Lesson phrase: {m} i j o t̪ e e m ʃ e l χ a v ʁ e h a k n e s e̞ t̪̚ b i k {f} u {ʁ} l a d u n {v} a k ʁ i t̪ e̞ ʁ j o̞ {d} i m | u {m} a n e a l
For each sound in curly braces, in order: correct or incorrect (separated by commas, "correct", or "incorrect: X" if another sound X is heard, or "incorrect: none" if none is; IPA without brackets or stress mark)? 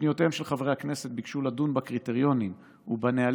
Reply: incorrect: n, incorrect: ʃ, incorrect: none, incorrect: b, incorrect: n, incorrect: b